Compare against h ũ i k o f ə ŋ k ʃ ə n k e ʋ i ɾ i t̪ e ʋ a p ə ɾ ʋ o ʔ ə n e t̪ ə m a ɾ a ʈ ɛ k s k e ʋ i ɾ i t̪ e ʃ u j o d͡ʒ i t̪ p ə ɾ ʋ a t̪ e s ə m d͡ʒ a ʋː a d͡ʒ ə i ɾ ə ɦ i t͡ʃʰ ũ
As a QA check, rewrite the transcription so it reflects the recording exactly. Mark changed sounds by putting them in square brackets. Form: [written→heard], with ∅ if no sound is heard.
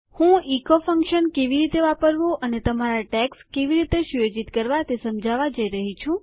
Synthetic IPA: h ũ i k o f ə ŋ k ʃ ə n k e ʋ i ɾ i t̪ e ʋ a p ə ɾ ʋ o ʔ ə n e t̪ ə m a ɾ a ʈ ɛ k s k e ʋ i ɾ i t̪ e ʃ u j o d͡ʒ i t̪ [p→k] ə ɾ ʋ a t̪ e s ə m d͡ʒ a [ʋː→ʋ] a d͡ʒ ə i ɾ ə ɦ i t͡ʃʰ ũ

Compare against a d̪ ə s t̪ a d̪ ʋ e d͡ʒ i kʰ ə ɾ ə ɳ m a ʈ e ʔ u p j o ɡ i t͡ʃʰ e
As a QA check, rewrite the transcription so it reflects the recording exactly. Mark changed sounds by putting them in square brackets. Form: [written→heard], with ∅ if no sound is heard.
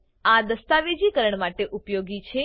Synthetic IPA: a d̪ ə s t̪ a [d̪→∅] ʋ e d͡ʒ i [kʰ→k] ə ɾ ə ɳ m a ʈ e ʔ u p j o ɡ i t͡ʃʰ e

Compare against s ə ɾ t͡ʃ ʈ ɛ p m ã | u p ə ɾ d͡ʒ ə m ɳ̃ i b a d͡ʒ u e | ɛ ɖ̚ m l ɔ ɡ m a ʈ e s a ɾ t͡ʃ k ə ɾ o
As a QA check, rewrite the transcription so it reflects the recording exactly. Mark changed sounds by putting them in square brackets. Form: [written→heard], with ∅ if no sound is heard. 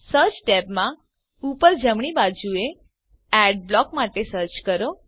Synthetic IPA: s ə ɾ t͡ʃ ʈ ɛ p m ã | u p ə ɾ d͡ʒ ə m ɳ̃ i b a d͡ʒ u e | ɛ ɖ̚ [m→b] l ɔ [ɡ→k] m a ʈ e s [a→ə] ɾ t͡ʃ k ə ɾ o

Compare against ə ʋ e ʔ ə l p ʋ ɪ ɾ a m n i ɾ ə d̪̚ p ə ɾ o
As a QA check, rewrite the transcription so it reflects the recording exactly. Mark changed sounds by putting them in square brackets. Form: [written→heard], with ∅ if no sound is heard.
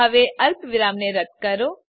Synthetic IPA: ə ʋ e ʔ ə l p ʋ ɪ ɾ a m n [i→e] ɾ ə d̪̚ [p→k] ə ɾ o

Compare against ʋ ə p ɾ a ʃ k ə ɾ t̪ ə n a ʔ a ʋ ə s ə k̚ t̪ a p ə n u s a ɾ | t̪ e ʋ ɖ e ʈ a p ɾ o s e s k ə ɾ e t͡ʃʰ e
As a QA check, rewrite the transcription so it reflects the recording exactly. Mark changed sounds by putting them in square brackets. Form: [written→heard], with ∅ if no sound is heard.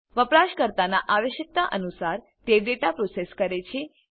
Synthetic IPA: ʋ ə p ɾ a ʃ k ə ɾ t̪ [ə→a] n a ʔ a ʋ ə [s→ʃ] ə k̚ t̪ a [p→ʔ] ə n u s a ɾ | t̪ e ʋ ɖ e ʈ a p ɾ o s e s k ə ɾ e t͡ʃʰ e

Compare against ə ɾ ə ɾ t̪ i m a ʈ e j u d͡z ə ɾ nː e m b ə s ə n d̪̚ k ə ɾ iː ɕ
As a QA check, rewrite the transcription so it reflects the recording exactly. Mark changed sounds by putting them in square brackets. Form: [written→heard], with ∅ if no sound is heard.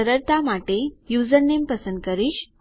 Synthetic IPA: ə ɾ ə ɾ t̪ [i→a] m a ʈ e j u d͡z ə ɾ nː e m [b→p] ə s ə n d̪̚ k ə ɾ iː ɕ

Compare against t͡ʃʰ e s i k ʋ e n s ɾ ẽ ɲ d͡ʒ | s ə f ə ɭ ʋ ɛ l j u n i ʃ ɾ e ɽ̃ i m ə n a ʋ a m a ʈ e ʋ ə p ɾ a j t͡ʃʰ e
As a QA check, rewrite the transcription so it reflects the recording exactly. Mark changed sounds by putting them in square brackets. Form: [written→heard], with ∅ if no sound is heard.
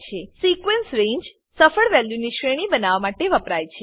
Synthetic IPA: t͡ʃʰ e s i k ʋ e n s ɾ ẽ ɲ d͡ʒ | s ə f ə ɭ ʋ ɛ l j u n i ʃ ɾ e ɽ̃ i [m→b] ə n a ʋ a m a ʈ e ʋ ə p ɾ a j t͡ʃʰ e

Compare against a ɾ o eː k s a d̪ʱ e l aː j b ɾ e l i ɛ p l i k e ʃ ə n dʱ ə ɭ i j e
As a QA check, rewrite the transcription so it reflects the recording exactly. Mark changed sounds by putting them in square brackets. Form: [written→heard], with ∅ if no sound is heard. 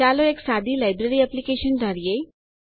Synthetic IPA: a [ɾ→l] o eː k s a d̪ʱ [e→i] l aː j b ɾ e [l→ɾ] i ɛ p l i k e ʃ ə n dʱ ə [ɭ→ɾ] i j e

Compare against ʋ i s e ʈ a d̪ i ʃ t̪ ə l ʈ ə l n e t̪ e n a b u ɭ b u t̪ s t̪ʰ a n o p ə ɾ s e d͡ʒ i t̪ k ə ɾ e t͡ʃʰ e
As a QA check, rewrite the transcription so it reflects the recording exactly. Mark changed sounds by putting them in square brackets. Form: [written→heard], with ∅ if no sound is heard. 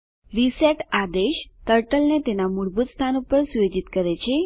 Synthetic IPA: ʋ i s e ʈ a d̪ [i→e] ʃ t̪ ə [l→ɾ] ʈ ə l n e t̪ e n a [b→m] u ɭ b u t̪ s t̪ʰ a n [o→u] p ə ɾ s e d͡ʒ i t̪ k ə ɾ e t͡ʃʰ e

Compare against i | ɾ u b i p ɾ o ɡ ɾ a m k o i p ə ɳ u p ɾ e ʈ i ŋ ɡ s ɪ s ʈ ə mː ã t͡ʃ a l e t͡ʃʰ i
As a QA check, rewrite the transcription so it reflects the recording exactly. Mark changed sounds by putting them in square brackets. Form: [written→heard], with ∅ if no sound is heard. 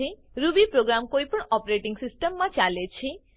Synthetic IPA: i | ɾ u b i p ɾ o ɡ ɾ a m k o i p ə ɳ [u→ɔ] p ɾ e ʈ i ŋ ɡ s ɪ s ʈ ə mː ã t͡ʃ a l e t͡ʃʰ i

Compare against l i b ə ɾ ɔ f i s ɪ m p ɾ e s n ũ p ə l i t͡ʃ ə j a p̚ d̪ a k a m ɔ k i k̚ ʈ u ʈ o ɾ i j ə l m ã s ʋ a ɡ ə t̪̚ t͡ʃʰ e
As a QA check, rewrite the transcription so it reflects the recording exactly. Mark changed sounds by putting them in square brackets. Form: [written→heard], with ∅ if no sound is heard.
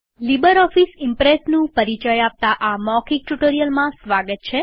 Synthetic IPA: l i b ə ɾ ɔ f i s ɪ m p ɾ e s n ũ p ə [l→ɾ] i t͡ʃ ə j a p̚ [d̪→t̪] a [k→ʔ] a m ɔ k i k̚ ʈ u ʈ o ɾ i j ə l m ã s ʋ a ɡ ə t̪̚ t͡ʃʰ e

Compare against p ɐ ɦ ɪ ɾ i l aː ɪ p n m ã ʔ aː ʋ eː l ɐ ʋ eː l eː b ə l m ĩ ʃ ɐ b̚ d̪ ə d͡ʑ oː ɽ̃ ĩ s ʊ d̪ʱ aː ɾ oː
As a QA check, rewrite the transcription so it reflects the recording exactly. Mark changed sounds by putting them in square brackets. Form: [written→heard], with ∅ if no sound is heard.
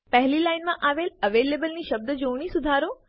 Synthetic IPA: p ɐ ɦ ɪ [ɾ→l] i l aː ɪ [p→∅] n m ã ʔ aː ʋ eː l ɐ ʋ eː l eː b ə l [m→n] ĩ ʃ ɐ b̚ d̪ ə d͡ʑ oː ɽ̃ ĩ s ʊ d̪ʱ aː ɾ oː

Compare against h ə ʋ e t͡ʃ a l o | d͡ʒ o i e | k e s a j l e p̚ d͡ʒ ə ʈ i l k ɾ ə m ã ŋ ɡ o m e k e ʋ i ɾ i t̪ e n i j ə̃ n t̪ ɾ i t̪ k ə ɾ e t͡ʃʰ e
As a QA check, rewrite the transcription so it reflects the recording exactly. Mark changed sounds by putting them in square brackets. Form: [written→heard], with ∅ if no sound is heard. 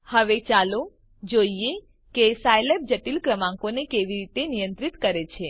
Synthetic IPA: h ə ʋ e t͡ʃ a l o | d͡ʒ o i e | k e s a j l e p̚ d͡ʒ ə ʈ i l k ɾ ə m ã ŋ [ɡ→k] o [m→n] e k e ʋ i ɾ i t̪ e n i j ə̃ n t̪ ɾ i t̪ k ə ɾ e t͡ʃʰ e

